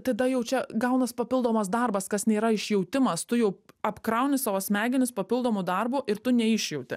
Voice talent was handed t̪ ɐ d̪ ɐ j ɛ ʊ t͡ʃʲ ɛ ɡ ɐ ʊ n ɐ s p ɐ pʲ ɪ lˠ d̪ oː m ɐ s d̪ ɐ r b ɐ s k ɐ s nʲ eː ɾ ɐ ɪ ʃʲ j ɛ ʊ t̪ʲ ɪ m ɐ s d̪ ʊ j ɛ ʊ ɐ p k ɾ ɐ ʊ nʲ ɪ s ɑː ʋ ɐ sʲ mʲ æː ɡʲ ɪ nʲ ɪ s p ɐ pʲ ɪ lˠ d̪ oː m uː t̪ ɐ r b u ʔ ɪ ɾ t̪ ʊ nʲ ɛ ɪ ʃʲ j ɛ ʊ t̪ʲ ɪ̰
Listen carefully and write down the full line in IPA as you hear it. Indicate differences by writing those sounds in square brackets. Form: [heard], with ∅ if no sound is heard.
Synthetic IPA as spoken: t̪ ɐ d̪ ɐ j ɛ ʊ t͡ʃʲ ɛ ɡ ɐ ʊ n ɐ s p ɐ pʲ ɪ lˠ d̪ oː m ɐ s d̪ ɐ r b ɐ s k ɐ s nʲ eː ɾ ɐ ɪ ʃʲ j ɛ ʊ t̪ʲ ɪ m ɐ s [t̪] ʊ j ɛ ʊ ɐ p k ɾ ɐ ʊ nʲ ɪ s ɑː ʋ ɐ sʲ mʲ æː ɡʲ ɪ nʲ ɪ s p ɐ pʲ ɪ lˠ d̪ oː m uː [d̪] ɐ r b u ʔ ɪ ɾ t̪ ʊ nʲ ɛ ɪ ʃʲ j ɛ ʊ t̪ʲ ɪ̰

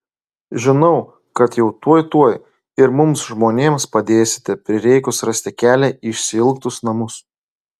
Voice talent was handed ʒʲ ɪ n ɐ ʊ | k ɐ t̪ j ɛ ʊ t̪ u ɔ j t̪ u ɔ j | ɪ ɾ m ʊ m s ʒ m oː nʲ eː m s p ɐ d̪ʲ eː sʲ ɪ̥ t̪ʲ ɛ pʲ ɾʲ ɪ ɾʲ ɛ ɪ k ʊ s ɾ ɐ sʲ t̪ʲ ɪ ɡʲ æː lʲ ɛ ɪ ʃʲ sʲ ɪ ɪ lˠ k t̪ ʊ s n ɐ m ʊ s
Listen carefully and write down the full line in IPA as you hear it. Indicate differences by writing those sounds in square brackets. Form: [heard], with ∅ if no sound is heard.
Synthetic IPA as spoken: ʒʲ ɪ n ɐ ʊ | k ɐ t̪ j ɛ ʊ t̪ u ɔ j t̪ u ɔ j | ɪ ɾ m ʊ m s ʒ m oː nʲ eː m s p ɐ d̪ʲ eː sʲ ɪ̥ t̪ʲ ɛ pʲ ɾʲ ɪ ɾʲ ɛ ɪ k ʊ s ɾ ɐ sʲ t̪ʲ ɪ [kʲ] æː lʲ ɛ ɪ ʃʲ sʲ ɪ ɪ lˠ k t̪ ʊ s n ɐ m ʊ s

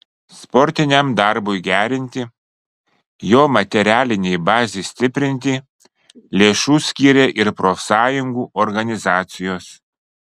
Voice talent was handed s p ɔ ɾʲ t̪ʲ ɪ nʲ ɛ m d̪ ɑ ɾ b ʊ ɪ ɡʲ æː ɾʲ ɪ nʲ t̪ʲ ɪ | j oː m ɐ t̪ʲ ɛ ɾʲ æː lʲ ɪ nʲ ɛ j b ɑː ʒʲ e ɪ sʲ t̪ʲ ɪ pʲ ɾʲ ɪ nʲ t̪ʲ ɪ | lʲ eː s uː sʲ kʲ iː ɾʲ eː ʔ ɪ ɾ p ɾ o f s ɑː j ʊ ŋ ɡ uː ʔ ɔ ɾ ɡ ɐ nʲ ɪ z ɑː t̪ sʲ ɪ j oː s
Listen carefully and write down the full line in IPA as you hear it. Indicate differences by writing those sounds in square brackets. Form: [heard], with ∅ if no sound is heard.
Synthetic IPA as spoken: s p ɔ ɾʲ t̪ʲ ɪ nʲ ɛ m d̪ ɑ ɾ b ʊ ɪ ɡʲ æː ɾʲ ɪ nʲ t̪ʲ ɪ | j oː m ɐ t̪ʲ ɛ ɾʲ æː lʲ ɪ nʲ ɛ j b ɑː [zʲ] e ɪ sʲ t̪ʲ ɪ pʲ ɾʲ ɪ nʲ t̪ʲ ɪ | lʲ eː [ʃ] uː sʲ kʲ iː ɾʲ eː ʔ ɪ ɾ p ɾ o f s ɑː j ʊ ŋ ɡ uː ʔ ɔ ɾ ɡ ɐ nʲ ɪ z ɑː t̪ sʲ ɪ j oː s

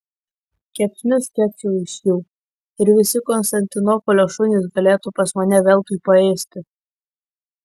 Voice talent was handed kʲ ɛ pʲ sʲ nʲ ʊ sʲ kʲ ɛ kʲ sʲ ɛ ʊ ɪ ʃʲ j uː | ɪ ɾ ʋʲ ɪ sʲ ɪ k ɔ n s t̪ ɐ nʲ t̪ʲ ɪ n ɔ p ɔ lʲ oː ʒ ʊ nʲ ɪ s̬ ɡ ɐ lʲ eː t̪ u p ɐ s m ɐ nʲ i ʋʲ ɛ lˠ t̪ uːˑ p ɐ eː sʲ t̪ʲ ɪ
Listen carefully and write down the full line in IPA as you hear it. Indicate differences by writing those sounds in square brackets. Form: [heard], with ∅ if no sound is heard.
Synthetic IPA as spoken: kʲ ɛ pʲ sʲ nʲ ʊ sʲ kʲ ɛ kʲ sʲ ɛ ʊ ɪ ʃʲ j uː | ɪ ɾ ʋʲ ɪ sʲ ɪ k ɔ n s t̪ ɐ nʲ t̪ʲ ɪ n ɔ p ɔ lʲ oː [ʃ] ʊ nʲ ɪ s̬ ɡ ɐ lʲ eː t̪ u p ɐ s m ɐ nʲ [ɛ] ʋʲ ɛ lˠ t̪ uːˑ p ɐ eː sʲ t̪ʲ ɪ

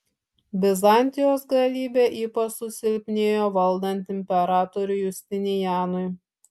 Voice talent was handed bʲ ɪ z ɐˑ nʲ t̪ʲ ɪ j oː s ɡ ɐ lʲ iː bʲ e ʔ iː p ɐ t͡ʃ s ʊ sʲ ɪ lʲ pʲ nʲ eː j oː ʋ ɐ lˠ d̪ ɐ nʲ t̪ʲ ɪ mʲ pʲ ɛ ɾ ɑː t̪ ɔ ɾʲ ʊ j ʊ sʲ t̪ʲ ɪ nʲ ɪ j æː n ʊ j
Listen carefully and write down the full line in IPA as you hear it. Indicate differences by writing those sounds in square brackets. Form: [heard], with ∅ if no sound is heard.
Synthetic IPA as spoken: bʲ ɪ z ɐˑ nʲ t̪ʲ ɪ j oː s ɡ ɐ lʲ iː bʲ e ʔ iː p ɐ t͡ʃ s ʊ sʲ ɪ lʲ pʲ nʲ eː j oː ʋ ɐ lˠ d̪ ɐ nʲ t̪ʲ ɪ mʲ pʲ ɛ ɾ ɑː t̪ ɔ ɾʲ ʊ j ʊ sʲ t̪ʲ ɪ nʲ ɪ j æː n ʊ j

